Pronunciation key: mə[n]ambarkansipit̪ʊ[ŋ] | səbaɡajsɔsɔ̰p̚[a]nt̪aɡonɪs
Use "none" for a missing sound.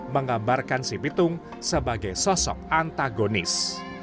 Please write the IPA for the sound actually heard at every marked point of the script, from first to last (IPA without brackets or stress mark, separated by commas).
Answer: ŋ, ŋ, a